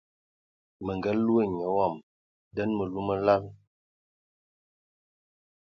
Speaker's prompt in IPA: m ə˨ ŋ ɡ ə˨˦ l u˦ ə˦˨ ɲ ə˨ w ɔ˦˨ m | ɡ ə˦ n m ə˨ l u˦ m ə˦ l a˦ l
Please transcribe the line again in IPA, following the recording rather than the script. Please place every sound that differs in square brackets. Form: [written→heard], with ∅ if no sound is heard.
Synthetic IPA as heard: m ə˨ ŋ ɡ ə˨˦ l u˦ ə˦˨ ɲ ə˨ w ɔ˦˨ m | [ɡ→d] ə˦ n m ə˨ l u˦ m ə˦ l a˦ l